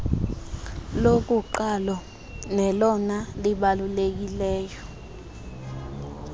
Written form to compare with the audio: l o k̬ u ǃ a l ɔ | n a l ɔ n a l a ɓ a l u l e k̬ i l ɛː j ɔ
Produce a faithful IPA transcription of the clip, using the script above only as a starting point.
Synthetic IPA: l o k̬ u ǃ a l ɔ | n ɛ l ɔ n a l i ɓ a l u l e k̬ i l ɛː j ɔ

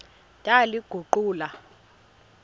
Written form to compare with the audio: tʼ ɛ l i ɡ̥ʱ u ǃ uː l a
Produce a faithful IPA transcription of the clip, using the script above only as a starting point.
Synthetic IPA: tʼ a l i ɡ̥ʱ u ǃ uː l a

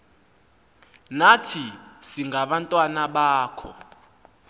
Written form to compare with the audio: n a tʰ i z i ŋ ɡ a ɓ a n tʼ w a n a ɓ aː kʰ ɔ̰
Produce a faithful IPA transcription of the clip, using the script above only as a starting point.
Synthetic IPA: n a tʰ i s i ŋ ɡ a ɓ a n tʼ w a n a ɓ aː kʰ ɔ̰

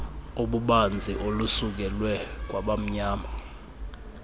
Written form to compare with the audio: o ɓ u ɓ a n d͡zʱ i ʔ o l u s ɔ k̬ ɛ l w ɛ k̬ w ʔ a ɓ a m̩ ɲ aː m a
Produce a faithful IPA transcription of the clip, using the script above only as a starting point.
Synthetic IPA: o ɓ u ɓ a n d͡zʱ i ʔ o l u s u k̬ ɛ l w ɛ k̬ w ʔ a ɓ a m̩ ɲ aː m a

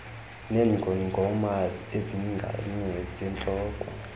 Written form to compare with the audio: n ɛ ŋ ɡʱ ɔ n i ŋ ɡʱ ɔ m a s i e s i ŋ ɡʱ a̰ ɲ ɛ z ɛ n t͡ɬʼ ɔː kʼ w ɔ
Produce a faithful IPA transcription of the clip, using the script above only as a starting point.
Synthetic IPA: n ɛ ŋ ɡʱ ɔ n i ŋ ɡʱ ɔ m a z i e z i ŋ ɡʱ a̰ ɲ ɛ z ɛ n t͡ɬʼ ɔː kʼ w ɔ

